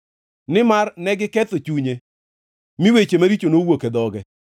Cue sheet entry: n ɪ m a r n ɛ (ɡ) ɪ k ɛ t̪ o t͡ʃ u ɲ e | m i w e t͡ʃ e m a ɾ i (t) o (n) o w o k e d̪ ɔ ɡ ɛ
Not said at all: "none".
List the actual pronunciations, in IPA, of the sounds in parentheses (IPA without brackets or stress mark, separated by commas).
ɡ, t͡ʃ, n